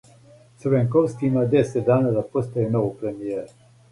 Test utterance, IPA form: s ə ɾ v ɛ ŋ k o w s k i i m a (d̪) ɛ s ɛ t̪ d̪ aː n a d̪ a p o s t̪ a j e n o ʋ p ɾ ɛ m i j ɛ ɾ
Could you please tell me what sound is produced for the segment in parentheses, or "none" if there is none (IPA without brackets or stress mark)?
d̪